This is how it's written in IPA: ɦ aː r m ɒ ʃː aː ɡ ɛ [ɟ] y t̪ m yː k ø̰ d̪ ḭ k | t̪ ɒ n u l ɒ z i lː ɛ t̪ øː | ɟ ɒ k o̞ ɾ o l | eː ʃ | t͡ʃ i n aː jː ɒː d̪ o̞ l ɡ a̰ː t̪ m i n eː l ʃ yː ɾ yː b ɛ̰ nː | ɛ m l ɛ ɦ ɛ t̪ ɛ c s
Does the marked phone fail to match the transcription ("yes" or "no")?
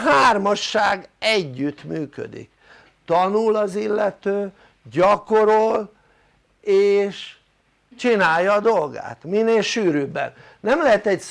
yes